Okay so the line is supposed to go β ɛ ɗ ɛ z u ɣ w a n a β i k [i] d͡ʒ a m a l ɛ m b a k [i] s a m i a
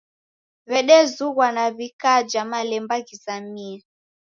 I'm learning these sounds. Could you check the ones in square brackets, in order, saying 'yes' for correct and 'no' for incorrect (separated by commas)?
no, yes